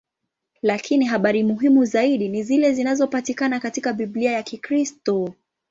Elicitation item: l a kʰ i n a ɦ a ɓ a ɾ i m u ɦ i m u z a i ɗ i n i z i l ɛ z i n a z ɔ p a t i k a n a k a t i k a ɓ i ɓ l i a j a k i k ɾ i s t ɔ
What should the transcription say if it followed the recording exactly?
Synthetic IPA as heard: l a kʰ i n i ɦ a ɓ a ɾ i m u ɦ i m u z a i ɗ i n i z i l ɛ z i n a z ɔ p a t i k a n a k a t i k a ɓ i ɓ l i a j a k i k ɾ i s t ɔ